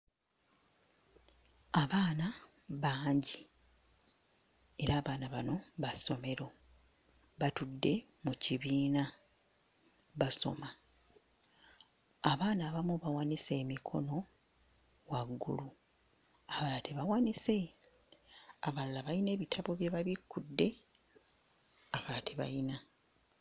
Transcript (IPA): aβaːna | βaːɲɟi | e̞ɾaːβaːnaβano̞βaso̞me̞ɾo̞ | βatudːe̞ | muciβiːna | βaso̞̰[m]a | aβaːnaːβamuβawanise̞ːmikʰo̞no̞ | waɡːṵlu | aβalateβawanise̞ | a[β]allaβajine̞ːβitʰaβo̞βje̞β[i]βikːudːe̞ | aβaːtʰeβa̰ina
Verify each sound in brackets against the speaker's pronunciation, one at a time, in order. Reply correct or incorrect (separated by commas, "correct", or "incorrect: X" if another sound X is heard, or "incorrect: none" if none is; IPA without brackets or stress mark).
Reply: correct, correct, incorrect: a